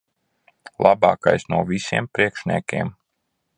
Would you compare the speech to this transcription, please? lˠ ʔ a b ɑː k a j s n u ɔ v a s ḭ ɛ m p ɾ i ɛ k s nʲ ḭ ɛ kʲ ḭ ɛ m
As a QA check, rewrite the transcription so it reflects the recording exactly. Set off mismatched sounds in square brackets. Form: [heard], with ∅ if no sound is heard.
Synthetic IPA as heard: lˠ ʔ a b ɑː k a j s n u ɔ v [i] s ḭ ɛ m p ɾ i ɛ k [ʃ] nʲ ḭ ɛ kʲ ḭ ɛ m